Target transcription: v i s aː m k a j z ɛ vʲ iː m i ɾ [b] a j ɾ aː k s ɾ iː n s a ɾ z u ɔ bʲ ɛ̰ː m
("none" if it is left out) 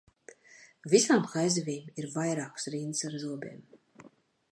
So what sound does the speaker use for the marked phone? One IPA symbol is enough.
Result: v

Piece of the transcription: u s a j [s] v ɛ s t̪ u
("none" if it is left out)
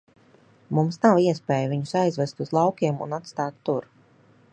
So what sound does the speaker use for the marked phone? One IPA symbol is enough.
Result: z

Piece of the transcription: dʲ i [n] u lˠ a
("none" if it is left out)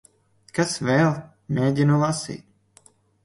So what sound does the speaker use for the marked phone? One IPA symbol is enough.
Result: n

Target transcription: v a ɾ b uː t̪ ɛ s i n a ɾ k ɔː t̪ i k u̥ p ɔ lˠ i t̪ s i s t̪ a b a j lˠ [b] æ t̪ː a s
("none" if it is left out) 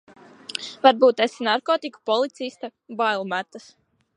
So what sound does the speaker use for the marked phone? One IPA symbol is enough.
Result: m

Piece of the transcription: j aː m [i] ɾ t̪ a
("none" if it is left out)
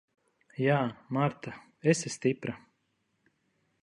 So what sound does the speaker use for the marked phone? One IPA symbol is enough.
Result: a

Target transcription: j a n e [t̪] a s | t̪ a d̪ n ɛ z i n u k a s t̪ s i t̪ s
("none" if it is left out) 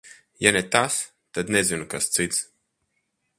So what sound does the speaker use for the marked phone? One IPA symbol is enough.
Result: t̪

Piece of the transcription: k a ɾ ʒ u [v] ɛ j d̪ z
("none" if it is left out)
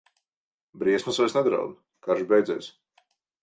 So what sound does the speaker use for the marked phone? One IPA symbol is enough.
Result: b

